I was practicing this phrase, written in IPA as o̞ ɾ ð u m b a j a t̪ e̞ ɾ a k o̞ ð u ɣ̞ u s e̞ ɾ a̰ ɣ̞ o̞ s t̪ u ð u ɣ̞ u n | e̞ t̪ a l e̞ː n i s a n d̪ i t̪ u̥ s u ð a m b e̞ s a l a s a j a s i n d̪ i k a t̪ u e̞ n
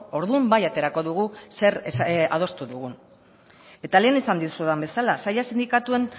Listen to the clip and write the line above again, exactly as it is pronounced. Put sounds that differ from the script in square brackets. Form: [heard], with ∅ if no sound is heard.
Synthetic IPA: o̞ ɾ ð u m b a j a t̪ e̞ ɾ a k o̞ ð u ɣ̞ u s e̞ ɾ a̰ [ð̞] o̞ s t̪ u ð u ɣ̞ u n | e̞ t̪ a l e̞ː n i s a n d̪ i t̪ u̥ s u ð a m b e̞ s a l a s a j a s i n d̪ i k a t̪ u e̞ n